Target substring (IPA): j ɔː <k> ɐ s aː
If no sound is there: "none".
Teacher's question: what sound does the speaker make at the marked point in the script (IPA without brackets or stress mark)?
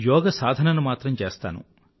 ɡ